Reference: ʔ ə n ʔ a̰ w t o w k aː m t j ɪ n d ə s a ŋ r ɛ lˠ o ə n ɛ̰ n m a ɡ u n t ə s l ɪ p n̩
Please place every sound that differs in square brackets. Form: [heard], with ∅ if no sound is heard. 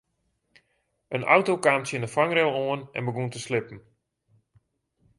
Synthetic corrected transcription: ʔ ə n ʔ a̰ w t o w k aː m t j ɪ n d ə [f] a ŋ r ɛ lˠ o ə n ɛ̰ n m [ə] ɡ u n t ə s l ɪ p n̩